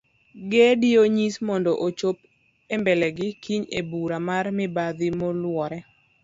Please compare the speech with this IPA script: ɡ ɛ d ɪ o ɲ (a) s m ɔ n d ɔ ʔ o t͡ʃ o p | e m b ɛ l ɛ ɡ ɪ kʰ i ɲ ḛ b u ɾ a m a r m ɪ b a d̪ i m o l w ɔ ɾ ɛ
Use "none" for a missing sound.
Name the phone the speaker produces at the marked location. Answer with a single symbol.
i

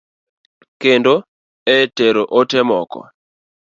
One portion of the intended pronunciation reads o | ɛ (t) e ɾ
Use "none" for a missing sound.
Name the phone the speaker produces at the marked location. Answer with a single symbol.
t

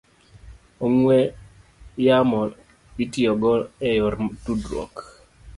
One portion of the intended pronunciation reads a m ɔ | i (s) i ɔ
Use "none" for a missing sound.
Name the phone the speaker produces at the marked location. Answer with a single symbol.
t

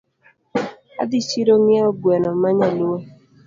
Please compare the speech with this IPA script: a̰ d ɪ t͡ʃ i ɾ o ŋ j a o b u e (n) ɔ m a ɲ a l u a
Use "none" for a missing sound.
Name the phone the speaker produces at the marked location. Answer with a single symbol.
n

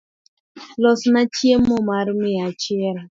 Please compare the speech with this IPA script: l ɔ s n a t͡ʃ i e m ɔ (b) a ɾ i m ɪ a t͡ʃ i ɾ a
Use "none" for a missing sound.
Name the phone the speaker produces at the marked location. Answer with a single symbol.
m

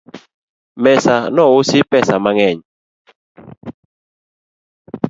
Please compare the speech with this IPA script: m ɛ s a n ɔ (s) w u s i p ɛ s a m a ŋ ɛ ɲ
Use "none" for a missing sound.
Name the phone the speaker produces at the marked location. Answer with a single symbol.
none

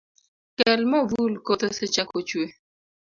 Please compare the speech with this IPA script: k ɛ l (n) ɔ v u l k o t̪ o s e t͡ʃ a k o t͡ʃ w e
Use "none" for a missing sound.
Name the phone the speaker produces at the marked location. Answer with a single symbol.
m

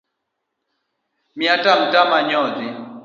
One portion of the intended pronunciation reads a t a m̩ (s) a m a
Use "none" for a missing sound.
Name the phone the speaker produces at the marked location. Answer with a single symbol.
t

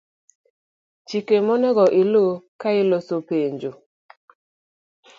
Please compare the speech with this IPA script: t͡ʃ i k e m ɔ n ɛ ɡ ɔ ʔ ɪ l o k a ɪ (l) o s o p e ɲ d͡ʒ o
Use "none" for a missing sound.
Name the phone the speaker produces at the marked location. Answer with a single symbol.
l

